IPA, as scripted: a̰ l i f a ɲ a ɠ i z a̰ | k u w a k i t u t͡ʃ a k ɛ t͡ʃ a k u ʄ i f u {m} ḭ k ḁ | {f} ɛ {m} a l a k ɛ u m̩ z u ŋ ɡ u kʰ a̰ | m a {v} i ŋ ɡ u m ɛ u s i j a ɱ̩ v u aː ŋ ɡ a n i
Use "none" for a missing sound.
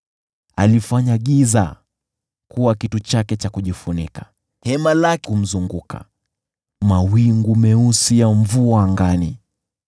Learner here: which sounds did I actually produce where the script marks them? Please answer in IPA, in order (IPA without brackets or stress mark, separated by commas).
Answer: n, h, m, w